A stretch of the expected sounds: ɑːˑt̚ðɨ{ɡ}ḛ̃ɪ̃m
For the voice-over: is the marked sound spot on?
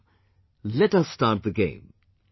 yes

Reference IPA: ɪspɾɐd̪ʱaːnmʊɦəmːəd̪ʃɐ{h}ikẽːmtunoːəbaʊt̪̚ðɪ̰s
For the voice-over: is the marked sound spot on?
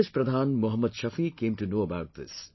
no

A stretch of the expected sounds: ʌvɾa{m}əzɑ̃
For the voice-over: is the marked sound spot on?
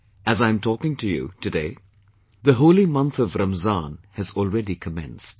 yes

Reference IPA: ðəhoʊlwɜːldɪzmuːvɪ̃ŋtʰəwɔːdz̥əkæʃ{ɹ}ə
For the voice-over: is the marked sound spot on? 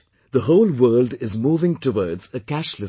no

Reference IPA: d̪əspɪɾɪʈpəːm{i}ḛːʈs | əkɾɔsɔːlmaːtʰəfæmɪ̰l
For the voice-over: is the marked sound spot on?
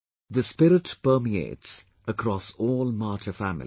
yes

